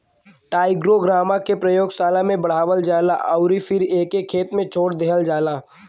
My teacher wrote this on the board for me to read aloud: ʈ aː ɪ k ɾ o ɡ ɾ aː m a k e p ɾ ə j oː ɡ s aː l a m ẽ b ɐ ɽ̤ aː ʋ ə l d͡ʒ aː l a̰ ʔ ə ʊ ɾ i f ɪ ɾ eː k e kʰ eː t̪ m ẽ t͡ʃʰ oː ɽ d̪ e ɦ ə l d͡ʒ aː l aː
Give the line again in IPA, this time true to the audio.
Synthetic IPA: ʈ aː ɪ ɡ ɾ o ɡ ɾ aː m a k e p ɾ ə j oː ɡ s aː l a m ẽ b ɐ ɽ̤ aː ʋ ə l d͡ʒ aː l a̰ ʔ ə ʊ ɾ i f ɪ ɾ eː k e kʰ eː t̪ m ẽ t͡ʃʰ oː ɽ d̪ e ɦ ə l d͡ʒ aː l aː